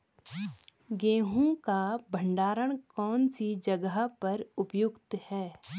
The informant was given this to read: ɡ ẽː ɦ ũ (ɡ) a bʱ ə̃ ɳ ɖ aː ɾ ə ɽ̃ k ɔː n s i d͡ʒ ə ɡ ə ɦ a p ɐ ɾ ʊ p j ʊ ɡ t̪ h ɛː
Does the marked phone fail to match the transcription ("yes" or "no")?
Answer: yes